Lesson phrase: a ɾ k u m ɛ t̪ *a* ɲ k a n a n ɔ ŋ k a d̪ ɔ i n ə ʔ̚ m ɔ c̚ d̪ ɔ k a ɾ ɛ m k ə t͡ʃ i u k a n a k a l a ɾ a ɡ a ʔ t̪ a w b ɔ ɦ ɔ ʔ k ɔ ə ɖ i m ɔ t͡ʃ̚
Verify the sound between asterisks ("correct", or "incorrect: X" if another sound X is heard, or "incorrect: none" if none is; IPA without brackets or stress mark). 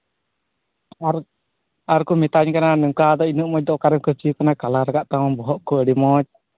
correct